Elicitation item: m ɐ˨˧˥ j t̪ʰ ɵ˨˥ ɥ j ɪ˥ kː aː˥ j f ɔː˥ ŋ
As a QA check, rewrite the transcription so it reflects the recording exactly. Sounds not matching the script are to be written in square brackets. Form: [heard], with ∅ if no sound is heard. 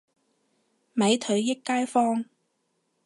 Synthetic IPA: m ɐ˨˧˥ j t̪ʰ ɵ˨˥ ɥ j ɪ˥ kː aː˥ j f ɔː˥ ŋ